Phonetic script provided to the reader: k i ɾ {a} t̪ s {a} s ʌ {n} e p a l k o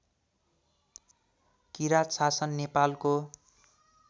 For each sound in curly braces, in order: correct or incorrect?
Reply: correct, correct, incorrect: nː

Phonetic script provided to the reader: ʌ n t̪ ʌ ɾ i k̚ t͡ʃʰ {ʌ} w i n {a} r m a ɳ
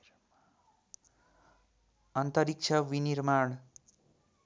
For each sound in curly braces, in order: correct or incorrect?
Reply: correct, incorrect: i

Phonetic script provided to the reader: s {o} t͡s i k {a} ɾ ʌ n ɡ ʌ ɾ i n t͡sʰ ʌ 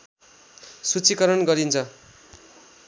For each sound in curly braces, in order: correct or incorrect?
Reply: incorrect: u, incorrect: ʌ

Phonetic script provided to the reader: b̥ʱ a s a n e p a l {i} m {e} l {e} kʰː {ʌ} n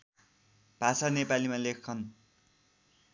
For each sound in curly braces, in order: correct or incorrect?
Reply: correct, incorrect: a, correct, correct

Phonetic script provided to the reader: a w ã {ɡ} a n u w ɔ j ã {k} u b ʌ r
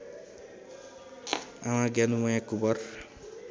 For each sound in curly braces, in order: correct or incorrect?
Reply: correct, correct

